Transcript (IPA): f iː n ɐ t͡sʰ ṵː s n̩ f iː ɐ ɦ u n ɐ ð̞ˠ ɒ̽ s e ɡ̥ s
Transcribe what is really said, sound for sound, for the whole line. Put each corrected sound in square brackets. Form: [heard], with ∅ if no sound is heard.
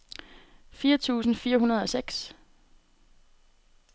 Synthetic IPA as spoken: f iː [∅] ɐ t͡sʰ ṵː s n̩ f iː ɐ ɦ u n ɐ ð̞ˠ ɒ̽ s e ɡ̥ s